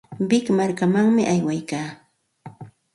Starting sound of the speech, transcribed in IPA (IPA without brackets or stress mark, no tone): b